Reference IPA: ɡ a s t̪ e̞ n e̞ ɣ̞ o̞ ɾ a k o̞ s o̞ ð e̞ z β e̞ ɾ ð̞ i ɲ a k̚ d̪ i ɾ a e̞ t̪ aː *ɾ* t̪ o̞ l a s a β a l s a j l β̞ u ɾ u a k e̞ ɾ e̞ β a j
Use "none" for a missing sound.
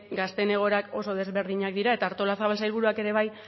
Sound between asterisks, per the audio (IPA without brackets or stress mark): ɾ